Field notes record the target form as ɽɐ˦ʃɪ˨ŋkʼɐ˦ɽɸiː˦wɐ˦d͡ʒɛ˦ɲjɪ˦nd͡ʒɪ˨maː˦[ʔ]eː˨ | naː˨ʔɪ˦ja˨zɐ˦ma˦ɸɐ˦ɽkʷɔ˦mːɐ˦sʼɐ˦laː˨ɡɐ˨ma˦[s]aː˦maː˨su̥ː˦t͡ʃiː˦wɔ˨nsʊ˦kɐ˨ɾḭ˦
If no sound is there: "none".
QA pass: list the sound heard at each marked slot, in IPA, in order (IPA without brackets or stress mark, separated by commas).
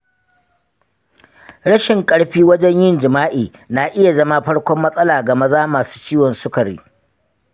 ʔ, z